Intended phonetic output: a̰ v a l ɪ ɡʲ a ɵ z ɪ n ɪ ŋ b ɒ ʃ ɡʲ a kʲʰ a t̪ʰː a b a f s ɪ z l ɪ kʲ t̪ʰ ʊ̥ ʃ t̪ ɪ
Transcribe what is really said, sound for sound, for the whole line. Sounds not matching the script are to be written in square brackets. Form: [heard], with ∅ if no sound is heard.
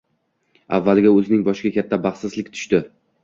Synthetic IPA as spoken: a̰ [vː] a l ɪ ɡʲ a ɵ z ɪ n ɪ ŋ b ɒ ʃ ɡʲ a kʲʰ a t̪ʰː a b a [χ] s ɪ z l ɪ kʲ t̪ʰ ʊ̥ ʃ t̪ ɪ